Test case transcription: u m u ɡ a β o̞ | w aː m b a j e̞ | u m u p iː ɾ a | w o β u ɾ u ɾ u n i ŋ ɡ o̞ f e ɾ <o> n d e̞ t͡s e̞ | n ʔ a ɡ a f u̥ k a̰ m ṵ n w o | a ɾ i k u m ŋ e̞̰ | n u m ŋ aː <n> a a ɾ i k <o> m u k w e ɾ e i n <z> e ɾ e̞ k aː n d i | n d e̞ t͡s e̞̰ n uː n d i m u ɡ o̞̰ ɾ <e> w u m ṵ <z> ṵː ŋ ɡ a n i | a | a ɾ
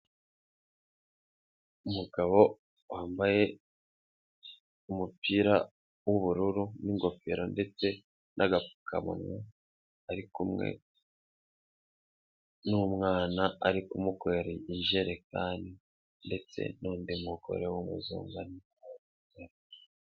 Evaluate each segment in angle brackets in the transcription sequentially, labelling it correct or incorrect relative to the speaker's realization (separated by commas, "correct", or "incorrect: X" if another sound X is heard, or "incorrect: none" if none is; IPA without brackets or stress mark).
correct, correct, incorrect: u, incorrect: ʒ, correct, correct